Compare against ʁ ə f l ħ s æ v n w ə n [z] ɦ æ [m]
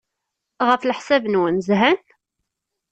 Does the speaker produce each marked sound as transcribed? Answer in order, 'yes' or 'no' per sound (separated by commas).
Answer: yes, no